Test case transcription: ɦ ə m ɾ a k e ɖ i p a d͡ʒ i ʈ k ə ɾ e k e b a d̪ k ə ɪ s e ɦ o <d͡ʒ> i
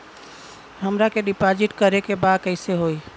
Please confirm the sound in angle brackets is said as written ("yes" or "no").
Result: no